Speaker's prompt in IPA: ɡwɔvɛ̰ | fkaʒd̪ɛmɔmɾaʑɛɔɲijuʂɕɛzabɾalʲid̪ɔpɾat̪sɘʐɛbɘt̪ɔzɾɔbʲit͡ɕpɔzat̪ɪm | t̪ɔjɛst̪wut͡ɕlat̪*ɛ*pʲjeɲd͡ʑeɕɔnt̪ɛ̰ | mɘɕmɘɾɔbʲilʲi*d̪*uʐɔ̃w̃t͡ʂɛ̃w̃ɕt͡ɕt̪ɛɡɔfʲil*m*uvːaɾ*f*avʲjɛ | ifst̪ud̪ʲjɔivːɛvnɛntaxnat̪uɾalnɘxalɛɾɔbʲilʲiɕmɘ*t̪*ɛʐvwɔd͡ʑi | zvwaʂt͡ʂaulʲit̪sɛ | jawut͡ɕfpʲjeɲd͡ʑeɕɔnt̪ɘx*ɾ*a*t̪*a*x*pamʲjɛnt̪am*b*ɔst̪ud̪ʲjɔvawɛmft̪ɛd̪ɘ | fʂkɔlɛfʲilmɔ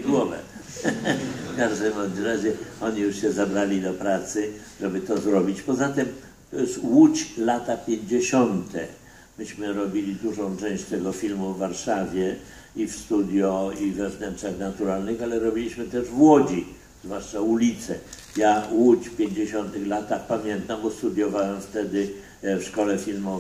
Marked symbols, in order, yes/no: no, yes, yes, no, yes, no, yes, yes, yes

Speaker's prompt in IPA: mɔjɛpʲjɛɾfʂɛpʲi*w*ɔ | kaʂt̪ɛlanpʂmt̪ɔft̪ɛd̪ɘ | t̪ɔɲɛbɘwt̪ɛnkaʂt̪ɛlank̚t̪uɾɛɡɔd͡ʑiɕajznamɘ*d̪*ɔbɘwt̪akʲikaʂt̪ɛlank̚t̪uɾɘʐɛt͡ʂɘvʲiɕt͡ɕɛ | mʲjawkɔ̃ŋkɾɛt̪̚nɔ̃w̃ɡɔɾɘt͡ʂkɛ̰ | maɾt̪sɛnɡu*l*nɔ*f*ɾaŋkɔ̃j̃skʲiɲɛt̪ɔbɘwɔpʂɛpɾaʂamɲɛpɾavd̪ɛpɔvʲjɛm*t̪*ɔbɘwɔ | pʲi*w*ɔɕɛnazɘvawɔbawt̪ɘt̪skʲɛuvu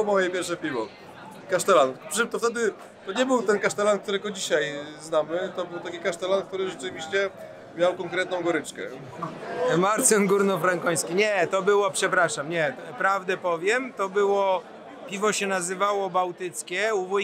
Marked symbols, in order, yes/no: no, no, no, yes, yes, no

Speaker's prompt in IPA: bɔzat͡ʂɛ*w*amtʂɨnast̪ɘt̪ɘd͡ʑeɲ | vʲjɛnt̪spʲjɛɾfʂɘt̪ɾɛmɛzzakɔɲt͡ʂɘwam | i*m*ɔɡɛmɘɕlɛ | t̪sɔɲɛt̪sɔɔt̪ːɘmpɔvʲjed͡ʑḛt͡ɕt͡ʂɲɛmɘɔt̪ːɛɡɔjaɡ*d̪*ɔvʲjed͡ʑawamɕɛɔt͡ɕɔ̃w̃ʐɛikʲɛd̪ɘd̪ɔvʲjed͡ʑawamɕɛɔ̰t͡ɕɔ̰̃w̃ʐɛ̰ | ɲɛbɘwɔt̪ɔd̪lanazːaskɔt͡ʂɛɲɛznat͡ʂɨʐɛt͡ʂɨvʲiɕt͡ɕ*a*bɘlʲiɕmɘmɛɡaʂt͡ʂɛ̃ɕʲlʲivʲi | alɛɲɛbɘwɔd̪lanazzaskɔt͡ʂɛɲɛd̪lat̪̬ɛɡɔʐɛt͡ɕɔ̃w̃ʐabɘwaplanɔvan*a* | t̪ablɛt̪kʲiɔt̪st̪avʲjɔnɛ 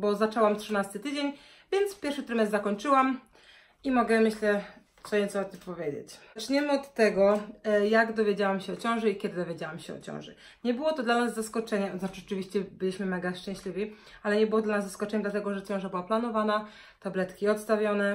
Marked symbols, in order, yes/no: yes, yes, yes, no, yes

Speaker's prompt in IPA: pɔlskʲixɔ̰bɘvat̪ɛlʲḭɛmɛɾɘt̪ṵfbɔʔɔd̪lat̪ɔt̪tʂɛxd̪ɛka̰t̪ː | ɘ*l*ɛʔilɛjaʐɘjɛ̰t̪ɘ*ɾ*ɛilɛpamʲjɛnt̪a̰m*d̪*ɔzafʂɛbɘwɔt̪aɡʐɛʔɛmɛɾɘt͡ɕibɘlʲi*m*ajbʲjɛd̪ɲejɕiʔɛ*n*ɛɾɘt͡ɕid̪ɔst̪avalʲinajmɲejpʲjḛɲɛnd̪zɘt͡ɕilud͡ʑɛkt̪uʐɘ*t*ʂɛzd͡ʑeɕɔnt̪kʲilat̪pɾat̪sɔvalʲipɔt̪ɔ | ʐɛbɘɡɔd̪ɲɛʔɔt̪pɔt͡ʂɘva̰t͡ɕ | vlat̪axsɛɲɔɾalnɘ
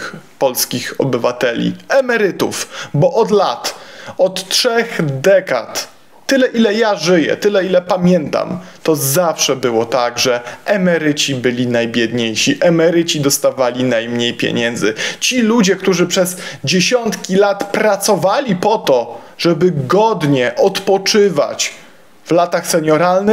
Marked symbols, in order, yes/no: yes, no, no, no, no, no

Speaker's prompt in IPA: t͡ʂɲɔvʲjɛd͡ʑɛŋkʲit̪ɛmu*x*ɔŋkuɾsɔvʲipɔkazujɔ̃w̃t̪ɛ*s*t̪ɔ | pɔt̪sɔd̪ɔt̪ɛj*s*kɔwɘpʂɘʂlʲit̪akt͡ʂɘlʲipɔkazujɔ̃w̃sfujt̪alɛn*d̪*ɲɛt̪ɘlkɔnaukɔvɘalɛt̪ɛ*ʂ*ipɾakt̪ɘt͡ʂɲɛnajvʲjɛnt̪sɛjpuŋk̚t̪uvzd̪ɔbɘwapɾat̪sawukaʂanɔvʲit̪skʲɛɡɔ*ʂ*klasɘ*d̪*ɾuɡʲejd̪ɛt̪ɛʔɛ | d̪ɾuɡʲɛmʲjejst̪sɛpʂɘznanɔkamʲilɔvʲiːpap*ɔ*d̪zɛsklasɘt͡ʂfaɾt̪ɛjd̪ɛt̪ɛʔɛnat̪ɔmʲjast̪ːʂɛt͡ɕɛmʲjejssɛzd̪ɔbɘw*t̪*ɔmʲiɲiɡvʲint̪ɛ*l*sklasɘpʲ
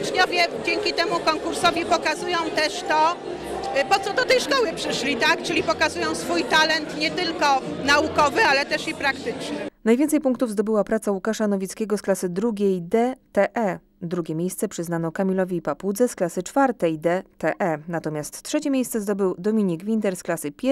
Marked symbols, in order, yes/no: no, no, no, no, yes, no, yes, no, no, no

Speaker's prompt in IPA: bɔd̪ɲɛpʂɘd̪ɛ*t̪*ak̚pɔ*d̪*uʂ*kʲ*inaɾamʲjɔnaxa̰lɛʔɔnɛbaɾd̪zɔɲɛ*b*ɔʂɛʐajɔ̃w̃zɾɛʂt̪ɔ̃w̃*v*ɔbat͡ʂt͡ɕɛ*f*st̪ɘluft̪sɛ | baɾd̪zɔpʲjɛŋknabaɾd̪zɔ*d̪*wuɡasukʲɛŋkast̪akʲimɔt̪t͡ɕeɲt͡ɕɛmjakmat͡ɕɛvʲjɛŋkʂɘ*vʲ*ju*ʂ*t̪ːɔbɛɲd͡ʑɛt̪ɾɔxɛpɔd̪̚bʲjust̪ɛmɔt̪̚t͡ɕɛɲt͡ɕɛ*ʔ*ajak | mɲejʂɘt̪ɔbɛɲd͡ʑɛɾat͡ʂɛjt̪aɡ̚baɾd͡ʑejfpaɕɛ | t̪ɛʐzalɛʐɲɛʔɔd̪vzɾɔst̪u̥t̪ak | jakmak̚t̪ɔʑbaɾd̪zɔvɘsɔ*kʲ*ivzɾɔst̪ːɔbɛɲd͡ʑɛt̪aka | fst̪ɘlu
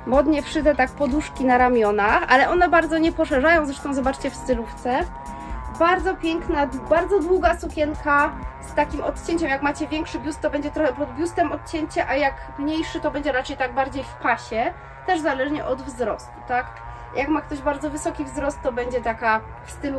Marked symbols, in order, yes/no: yes, yes, yes, no, no, yes, yes, no, no, yes, yes

